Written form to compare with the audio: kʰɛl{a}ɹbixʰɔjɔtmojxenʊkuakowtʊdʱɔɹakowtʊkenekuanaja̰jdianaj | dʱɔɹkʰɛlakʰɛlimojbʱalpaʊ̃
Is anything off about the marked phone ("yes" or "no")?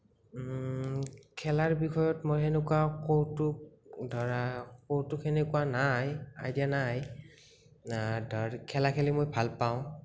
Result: no